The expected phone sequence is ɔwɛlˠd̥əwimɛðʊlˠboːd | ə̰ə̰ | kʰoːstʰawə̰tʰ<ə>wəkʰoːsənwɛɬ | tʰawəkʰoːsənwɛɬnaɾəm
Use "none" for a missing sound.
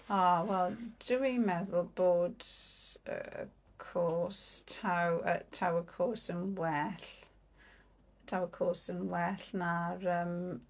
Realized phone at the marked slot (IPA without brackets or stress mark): a